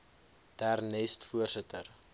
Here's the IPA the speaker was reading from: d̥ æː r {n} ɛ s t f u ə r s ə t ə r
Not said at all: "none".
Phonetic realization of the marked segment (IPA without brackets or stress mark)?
n